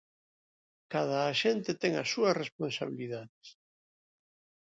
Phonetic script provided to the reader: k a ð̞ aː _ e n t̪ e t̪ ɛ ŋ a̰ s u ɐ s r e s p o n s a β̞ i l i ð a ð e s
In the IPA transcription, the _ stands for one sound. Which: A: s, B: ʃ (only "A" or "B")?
B